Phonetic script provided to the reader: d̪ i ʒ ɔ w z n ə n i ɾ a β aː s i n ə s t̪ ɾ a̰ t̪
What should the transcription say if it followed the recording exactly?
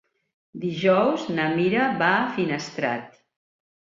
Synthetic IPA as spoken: d̪ i ʒ ɔ w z n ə m i ɾ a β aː f i n ə s t̪ ɾ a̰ t̪